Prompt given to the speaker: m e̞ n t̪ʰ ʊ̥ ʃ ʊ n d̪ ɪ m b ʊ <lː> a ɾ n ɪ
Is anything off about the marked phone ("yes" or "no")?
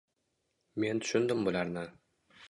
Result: yes